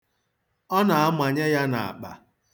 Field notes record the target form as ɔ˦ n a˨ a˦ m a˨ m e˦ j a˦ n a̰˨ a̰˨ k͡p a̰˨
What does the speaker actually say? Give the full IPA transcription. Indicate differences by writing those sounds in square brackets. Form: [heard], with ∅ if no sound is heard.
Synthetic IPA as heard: ɔ˦ n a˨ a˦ m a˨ [ɲ] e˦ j a˦ n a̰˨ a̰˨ k͡p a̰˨